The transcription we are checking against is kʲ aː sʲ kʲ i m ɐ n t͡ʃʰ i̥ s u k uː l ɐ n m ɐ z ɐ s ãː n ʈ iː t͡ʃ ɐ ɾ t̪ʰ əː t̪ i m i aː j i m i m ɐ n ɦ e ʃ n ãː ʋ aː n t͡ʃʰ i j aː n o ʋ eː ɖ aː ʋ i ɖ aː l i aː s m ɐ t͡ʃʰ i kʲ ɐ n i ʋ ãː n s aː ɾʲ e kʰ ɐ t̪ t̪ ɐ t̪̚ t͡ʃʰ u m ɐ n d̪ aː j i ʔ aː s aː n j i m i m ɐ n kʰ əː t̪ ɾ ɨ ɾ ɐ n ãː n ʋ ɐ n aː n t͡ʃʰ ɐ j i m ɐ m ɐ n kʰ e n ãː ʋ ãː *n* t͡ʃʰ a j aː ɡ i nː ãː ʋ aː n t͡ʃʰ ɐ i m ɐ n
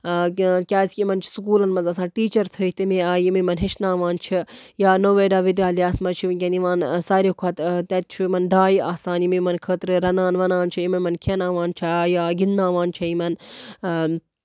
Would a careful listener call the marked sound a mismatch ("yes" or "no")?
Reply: no